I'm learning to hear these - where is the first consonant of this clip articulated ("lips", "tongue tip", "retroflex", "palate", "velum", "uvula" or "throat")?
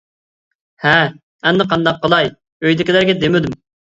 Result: throat